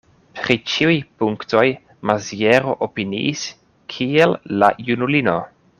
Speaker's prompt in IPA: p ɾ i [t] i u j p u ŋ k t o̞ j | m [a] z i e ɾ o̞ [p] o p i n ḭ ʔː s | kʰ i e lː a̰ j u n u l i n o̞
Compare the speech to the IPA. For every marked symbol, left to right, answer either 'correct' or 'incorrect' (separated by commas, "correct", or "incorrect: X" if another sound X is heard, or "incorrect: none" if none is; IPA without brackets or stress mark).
incorrect: t͡ʃ, correct, incorrect: ʔ